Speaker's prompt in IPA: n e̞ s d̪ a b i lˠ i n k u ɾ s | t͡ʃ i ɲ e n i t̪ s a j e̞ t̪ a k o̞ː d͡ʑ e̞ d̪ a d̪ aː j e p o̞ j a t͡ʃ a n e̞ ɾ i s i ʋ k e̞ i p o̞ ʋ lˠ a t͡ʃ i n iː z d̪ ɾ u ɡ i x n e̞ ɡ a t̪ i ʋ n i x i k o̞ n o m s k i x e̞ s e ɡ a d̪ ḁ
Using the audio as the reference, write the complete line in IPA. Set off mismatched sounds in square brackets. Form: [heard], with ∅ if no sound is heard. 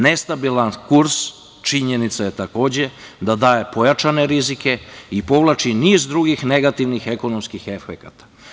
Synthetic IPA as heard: n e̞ s [t̪] a b i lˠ [a] n k u ɾ s | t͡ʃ i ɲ e n i t̪ s a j e̞ t̪ a k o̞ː d͡ʑ e̞ d̪ a d̪ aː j e p o̞ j a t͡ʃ a n e̞ ɾ i [z] i [∅] k e̞ i p o̞ ʋ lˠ a t͡ʃ i n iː z d̪ ɾ u ɡ i x n e̞ ɡ a t̪ i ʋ n i x [e] k o̞ n o m s k i x e̞ [f] e [k] a [t̪] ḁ

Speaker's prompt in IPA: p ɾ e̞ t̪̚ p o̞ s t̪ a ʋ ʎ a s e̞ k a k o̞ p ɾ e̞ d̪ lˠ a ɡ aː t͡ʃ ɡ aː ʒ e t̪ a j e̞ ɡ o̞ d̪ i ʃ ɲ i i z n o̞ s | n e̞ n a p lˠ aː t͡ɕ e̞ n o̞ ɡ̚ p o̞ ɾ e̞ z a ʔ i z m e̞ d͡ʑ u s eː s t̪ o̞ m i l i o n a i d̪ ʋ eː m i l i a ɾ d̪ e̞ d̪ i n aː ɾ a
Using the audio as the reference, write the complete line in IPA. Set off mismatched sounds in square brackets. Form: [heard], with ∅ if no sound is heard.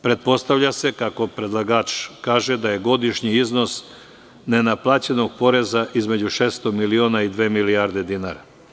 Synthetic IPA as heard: p ɾ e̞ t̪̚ p o̞ s t̪ a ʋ ʎ a s e̞ k a k o̞ p ɾ e̞ d̪ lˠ a ɡ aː t͡ʃ [k] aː ʒ e [d̪] a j e̞ ɡ o̞ d̪ i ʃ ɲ i i z n o̞ s | n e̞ n a p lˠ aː t͡ɕ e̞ n o̞ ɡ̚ p o̞ ɾ e̞ z a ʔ i z m e̞ d͡ʑ u [ʃ] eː s t̪ o̞ m i l i o n a i d̪ ʋ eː m i l i a ɾ d̪ e̞ d̪ i n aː ɾ a

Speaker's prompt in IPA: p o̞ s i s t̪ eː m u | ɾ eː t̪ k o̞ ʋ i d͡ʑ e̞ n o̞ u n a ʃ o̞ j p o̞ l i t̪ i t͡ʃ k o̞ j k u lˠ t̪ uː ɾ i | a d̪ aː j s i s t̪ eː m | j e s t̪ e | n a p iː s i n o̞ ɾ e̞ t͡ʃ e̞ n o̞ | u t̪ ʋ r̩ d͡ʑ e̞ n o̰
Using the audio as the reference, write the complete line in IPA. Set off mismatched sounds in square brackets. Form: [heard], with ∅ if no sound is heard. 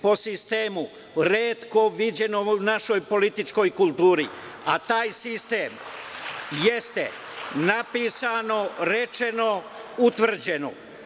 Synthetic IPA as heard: p o̞ s i s t̪ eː m u | ɾ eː t̪ k o̞ ʋ i d͡ʑ e̞ n o̞ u n a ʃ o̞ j p o̞ l i t̪ i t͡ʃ k o̞ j k u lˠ t̪ uː ɾ i | a [t̪] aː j s i s t̪ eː m | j e s t̪ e | n a p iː s [a] n o̞ ɾ e̞ t͡ʃ e̞ n o̞ | u t̪ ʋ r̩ d͡ʑ e̞ n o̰

